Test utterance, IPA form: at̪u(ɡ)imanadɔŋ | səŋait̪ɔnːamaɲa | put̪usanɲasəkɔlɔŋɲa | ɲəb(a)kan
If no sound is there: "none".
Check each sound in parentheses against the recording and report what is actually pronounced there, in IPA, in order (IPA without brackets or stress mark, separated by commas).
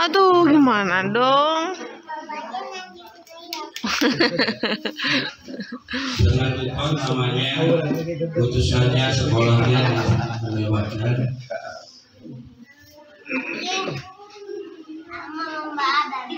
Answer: ɡ, a